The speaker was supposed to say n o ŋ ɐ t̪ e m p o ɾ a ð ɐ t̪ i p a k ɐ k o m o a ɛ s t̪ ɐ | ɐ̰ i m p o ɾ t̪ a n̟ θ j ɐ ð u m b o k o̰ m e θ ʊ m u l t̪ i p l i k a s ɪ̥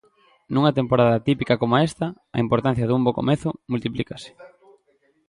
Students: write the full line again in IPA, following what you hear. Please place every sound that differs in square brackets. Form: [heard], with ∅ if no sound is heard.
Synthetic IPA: n [u] ŋ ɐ t̪ e m p o ɾ a ð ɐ t̪ i p [i] k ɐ k o m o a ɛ s t̪ ɐ | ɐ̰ i m p o ɾ t̪ a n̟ θ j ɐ ð u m b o k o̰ m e θ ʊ m u l t̪ i p l i k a s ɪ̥